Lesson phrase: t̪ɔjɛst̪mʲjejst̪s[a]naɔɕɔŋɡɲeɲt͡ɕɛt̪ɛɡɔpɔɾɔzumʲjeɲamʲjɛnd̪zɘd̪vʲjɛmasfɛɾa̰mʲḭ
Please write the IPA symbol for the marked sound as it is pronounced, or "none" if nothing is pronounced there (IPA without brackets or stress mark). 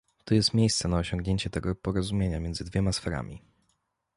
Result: ɛ